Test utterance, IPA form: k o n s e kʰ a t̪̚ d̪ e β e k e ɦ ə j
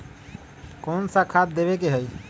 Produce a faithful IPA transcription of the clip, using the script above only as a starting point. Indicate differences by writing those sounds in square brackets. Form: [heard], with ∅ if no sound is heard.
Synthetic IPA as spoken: k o n s [a] kʰ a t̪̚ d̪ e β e k e ɦ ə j